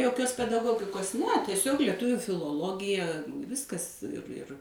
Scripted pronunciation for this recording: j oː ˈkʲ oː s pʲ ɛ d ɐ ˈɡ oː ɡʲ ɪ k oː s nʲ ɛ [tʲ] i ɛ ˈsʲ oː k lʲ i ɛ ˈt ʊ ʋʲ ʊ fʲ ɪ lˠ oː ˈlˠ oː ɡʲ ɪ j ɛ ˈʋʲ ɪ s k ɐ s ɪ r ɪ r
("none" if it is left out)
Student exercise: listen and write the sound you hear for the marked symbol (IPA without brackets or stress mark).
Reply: tʲ